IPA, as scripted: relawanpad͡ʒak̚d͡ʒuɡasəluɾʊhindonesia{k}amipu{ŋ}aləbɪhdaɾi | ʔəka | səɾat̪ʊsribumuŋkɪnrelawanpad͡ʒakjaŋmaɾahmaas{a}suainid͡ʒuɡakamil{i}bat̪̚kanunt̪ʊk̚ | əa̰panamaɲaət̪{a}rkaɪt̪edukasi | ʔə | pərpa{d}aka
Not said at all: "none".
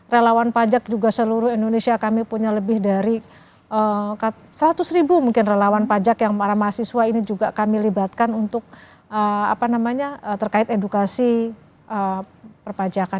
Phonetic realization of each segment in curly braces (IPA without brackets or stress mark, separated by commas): k, ɲ, i, i, ə, d͡ʒ